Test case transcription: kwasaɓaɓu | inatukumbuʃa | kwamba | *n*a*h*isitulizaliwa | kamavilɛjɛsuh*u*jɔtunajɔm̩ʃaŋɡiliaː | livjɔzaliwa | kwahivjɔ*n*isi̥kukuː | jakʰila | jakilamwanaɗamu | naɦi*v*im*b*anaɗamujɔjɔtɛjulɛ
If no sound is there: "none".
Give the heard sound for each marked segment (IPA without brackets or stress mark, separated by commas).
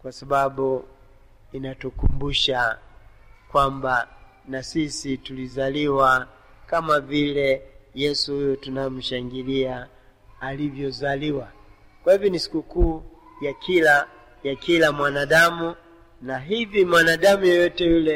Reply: n, s, u, n, v, w